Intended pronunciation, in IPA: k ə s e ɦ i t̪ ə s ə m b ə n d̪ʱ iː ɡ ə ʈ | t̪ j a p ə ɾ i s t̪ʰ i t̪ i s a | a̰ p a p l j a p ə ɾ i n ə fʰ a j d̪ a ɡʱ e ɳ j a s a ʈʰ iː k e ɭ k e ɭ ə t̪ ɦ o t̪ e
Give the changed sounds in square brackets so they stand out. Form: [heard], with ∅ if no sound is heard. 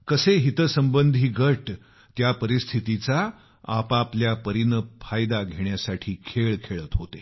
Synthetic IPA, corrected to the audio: k ə s e ɦ i t̪ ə s ə m b ə n d̪ʱ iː ɡ ə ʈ | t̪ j a p ə ɾ i s t̪ʰ i t̪ i [t͡s] a | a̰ p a p l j a p ə ɾ i n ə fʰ a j d̪ a ɡʱ e ɳ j a s a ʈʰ iː [kʰ] e ɭ [kʰ] e ɭ ə t̪ ɦ o t̪ e